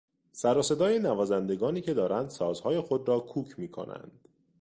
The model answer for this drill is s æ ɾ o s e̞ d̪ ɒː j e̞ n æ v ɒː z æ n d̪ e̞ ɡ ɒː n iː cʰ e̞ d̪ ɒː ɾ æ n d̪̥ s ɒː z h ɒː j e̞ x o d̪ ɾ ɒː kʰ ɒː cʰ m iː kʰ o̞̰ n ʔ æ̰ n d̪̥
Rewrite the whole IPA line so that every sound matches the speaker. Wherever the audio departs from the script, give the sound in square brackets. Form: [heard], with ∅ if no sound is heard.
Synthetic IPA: s æ ɾ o s e̞ d̪ ɒː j e̞ n æ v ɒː z æ n d̪ e̞ ɡ ɒː n iː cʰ e̞ d̪ ɒː ɾ æ n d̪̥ s ɒː z h ɒː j e̞ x o d̪ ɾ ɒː kʰ [uː] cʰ m iː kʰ o̞̰ n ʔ æ̰ n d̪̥